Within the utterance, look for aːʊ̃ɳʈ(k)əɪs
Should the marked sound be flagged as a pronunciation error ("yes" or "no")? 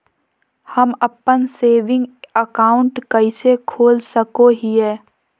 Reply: no